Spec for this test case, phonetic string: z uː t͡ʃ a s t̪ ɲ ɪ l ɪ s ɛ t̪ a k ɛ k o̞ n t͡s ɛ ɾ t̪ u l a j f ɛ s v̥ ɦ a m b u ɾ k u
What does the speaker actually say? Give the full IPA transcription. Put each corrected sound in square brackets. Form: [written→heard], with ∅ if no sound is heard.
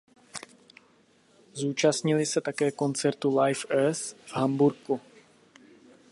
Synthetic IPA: z uː t͡ʃ a s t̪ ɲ ɪ l ɪ s ɛ t̪ a k [ɛ→ɛː] k o̞ n t͡s ɛ ɾ t̪ u l a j f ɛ s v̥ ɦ a m b u ɾ k u